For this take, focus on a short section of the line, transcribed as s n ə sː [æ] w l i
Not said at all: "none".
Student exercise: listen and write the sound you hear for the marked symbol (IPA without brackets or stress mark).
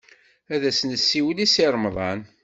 i